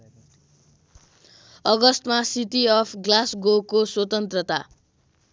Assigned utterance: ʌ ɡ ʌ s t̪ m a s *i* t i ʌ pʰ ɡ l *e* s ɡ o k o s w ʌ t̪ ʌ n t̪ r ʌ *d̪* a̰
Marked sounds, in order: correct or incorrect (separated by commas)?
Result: correct, incorrect, incorrect